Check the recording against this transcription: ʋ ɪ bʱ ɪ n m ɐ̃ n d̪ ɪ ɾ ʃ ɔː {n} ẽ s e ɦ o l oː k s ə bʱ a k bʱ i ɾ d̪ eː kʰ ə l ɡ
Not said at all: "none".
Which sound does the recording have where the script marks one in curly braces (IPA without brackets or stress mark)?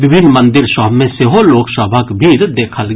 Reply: m